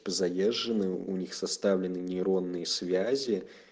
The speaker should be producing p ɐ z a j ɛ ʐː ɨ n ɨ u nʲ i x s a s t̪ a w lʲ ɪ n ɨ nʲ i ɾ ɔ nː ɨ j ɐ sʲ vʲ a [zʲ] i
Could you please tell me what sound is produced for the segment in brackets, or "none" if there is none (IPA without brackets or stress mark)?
zʲ